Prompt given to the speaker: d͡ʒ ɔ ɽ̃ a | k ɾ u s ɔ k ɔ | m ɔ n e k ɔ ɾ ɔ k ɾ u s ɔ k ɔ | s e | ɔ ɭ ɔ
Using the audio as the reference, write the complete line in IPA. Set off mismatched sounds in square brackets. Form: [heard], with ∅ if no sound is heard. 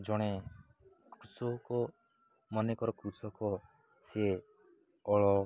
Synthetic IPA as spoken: d͡ʒ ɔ ɽ̃ [e] | k ɾ u s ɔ k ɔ | m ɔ n e k ɔ ɾ ɔ k ɾ u s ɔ k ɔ | s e | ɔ ɭ ɔ